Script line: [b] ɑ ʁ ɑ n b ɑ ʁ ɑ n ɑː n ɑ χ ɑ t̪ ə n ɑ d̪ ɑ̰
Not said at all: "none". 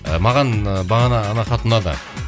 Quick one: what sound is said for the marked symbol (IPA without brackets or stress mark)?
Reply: m